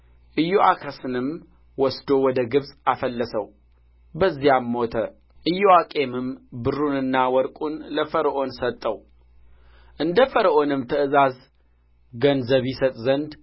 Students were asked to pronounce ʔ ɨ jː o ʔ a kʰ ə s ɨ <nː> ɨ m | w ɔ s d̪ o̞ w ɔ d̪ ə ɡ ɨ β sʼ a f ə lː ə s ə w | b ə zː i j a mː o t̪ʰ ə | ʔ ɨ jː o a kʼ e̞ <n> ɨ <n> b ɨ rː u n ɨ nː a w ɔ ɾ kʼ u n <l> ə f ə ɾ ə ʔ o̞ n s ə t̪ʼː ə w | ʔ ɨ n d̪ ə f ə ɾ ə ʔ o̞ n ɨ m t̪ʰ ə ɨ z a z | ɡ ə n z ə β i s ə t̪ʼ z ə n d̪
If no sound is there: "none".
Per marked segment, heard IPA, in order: n, m, m, l

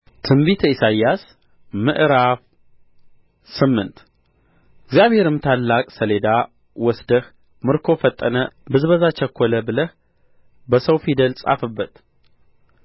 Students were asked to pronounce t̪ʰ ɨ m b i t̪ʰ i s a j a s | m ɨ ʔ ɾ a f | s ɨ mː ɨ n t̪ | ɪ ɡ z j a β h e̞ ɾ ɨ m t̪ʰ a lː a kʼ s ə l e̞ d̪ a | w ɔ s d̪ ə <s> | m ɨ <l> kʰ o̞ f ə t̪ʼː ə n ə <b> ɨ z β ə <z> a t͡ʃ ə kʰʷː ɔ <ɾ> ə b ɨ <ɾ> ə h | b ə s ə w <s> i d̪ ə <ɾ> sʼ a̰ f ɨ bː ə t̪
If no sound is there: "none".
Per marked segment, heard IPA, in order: h, ɾ, b, z, l, l, f, l

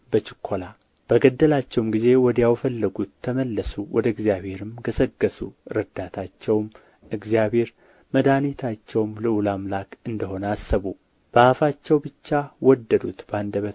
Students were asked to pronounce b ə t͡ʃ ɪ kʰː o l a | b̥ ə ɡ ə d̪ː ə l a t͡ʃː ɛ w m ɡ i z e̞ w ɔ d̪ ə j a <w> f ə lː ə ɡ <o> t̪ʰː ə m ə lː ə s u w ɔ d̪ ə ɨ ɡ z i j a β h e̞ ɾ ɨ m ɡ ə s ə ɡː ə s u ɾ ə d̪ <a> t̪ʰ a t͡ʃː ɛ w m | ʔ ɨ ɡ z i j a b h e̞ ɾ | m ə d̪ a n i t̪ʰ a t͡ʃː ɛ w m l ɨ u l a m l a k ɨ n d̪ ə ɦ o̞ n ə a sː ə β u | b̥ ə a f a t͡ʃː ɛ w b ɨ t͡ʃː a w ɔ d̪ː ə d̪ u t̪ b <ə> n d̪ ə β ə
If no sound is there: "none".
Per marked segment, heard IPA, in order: w, u, a, a

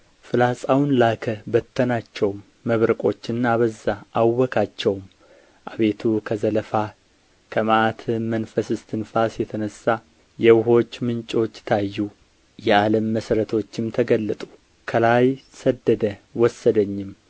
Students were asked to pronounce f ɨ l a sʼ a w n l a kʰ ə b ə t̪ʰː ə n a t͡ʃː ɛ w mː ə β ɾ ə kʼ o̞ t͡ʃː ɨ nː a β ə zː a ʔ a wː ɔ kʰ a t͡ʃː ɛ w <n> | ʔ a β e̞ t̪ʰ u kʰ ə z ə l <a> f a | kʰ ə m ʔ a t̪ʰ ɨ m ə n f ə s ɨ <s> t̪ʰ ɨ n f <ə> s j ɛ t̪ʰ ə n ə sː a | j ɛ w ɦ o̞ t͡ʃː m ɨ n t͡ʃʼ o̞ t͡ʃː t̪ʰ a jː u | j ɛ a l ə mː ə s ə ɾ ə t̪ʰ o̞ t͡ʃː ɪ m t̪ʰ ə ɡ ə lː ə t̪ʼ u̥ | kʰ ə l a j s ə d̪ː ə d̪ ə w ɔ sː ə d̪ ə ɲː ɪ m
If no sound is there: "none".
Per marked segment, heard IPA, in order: m, ə, s, a

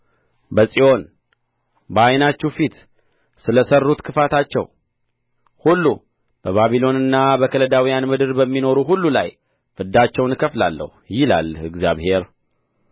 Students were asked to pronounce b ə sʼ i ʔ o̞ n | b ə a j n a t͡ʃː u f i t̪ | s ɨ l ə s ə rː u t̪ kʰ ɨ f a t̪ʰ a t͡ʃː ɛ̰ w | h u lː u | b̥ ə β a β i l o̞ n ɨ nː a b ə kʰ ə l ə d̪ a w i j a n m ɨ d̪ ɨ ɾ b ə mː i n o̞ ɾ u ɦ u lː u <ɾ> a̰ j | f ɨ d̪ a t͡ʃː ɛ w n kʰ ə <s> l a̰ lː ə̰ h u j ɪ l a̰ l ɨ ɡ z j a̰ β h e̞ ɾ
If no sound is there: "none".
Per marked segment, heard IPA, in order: l, f

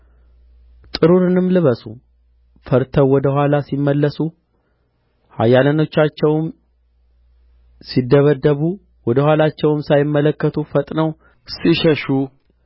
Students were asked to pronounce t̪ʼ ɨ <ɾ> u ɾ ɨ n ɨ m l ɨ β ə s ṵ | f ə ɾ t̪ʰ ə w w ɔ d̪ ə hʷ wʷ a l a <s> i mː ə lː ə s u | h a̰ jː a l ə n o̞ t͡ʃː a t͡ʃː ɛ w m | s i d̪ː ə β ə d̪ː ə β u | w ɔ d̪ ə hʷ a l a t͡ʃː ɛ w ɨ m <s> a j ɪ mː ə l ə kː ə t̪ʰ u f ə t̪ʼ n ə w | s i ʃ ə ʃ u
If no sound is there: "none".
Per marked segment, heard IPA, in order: ɾ, s, s

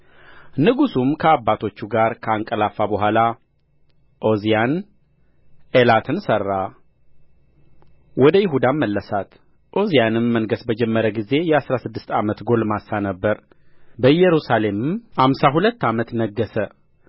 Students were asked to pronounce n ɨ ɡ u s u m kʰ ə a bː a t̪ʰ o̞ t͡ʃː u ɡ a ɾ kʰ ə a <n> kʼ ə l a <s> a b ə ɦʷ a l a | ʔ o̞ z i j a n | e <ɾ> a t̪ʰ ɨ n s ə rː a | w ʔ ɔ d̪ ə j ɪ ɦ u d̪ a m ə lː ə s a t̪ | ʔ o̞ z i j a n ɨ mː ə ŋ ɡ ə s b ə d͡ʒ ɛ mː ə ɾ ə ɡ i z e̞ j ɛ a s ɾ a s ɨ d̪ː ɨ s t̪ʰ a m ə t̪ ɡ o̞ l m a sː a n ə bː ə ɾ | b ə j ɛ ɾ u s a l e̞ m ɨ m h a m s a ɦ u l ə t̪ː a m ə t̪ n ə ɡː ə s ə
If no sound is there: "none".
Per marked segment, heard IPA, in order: ŋ, f, l

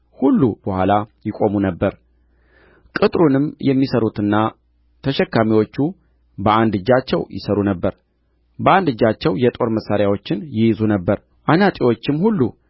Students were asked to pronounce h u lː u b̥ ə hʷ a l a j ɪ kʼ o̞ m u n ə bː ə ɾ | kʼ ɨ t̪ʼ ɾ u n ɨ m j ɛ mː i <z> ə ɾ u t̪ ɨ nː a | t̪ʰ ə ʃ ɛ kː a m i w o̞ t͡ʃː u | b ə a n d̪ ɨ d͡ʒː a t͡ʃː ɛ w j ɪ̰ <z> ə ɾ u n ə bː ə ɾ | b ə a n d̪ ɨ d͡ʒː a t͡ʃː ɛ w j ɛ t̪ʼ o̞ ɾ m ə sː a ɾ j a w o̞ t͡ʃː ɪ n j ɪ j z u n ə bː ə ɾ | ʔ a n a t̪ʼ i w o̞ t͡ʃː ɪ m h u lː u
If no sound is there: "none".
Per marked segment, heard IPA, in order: s, s

